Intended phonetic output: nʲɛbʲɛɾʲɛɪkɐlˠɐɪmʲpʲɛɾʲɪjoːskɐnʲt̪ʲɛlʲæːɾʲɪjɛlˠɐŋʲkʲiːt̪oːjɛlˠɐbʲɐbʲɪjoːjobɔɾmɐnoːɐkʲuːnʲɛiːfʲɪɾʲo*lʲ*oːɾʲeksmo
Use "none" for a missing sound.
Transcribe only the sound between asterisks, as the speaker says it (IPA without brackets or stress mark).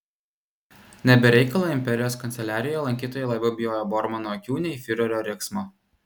ɾʲ